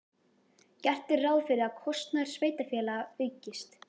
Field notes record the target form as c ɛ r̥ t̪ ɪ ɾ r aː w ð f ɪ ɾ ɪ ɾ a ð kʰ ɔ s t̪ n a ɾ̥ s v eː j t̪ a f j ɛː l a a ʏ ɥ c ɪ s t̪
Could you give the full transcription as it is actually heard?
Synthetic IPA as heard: c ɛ r̥ t̪ ɪ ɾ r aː w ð f ɪ ɾ ɪ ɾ a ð kʰ ɔ s t̪ n a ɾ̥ s v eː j t̪ a f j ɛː l a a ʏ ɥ c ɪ s t̪

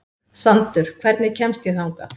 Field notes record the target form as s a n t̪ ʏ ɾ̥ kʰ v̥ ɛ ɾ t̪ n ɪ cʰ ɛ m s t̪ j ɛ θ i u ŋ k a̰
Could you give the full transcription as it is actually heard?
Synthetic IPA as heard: s a n t̪ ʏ ɾ̥ kʰ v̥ ɛ ɾ t̪ n ɪ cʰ ɛ m s t̪ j ɛ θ a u ŋ k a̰

